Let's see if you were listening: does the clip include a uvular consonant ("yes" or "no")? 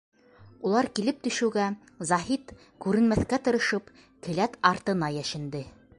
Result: no